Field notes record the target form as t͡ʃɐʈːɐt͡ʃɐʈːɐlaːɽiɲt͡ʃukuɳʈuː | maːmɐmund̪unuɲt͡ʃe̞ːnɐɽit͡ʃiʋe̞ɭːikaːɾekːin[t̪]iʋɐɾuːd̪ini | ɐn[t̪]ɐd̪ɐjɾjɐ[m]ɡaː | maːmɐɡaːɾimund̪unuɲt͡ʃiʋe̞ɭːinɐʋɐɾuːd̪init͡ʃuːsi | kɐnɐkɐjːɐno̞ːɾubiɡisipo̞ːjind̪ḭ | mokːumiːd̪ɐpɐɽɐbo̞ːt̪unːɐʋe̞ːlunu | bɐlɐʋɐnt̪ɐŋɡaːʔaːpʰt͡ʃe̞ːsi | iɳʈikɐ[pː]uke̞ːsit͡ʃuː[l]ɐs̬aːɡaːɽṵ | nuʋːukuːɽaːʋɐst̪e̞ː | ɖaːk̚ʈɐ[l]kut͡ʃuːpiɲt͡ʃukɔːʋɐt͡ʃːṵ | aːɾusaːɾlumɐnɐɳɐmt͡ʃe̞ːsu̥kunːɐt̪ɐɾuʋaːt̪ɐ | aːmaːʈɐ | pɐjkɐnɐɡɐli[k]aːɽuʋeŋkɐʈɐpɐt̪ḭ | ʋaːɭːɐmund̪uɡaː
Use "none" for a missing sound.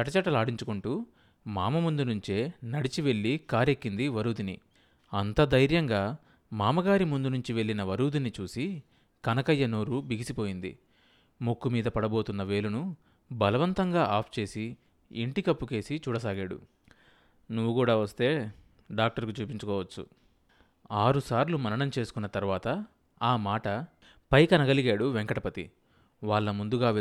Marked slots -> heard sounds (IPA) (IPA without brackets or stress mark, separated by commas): d̪, t̪, ŋ, pː, ɽ, ɾ, ɡ